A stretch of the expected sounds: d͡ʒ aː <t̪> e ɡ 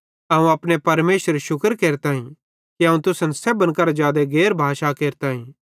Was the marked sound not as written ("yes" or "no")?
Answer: yes